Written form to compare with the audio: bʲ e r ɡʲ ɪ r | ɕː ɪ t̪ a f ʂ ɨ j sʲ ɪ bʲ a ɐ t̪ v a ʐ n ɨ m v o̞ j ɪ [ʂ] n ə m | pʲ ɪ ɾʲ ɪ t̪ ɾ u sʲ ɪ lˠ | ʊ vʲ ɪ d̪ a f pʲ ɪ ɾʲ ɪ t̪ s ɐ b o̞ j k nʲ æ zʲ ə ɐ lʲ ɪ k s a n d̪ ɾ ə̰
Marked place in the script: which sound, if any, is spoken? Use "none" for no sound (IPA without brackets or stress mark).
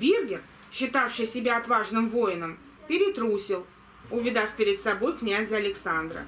none